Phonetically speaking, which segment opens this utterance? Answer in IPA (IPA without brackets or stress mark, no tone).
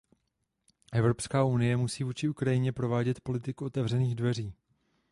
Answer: ʔ